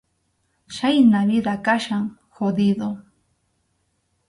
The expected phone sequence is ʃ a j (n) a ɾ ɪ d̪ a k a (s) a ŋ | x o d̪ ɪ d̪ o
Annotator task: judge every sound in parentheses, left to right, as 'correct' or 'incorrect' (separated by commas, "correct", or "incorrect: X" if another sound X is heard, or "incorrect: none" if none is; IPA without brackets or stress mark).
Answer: correct, incorrect: ʃ